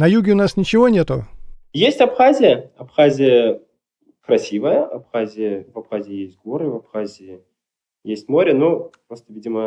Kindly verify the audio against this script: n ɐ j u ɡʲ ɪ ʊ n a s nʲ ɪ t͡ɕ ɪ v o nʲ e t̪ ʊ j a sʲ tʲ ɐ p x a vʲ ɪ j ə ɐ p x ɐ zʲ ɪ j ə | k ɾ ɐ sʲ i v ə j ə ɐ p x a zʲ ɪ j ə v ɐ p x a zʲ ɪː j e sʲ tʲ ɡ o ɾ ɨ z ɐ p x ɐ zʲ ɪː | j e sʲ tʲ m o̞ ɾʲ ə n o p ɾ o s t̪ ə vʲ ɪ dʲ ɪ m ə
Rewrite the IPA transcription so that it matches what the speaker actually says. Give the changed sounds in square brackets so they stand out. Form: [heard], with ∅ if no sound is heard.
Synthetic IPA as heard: n ɐ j u ɡʲ ɪ ʊ n a s nʲ ɪ t͡ɕ ɪ v o nʲ e t̪ ʊ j [e] sʲ tʲ ɐ p x a [zʲ] ɪ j ə ɐ p x [a] zʲ ɪ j ə | k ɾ ɐ sʲ i v ə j ə ɐ p x a zʲ ɪ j ə v ɐ p x a zʲ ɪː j e sʲ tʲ ɡ o ɾ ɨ [v] ɐ p x [a] zʲ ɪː | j e sʲ tʲ m o̞ ɾʲ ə n o p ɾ o s t̪ ə vʲ [i] dʲ ɪ m ə